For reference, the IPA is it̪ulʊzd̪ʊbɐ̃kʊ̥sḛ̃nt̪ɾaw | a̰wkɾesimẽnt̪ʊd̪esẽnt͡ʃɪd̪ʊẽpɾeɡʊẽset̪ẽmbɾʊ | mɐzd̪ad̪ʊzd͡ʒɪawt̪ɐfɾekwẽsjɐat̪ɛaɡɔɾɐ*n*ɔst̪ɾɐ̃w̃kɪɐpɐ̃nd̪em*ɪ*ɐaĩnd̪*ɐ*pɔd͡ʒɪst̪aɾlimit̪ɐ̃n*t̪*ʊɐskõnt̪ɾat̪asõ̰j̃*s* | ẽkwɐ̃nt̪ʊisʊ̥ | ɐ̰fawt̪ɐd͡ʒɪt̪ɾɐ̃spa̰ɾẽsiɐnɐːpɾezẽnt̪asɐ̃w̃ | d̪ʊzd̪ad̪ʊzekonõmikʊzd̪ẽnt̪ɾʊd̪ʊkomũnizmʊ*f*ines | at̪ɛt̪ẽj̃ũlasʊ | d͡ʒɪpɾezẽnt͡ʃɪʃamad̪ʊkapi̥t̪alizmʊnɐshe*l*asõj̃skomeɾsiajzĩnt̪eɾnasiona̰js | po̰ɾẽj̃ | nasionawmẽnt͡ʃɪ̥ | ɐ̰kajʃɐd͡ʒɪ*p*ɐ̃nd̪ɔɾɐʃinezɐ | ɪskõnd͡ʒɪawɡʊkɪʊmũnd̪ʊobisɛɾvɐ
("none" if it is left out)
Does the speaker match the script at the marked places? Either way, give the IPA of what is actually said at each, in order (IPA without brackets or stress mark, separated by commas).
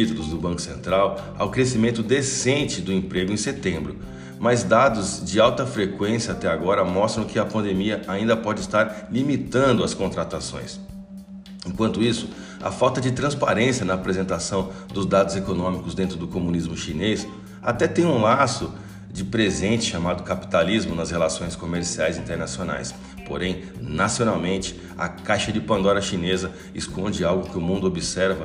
m, i, ɐ, d̪, s, ʃ, l, p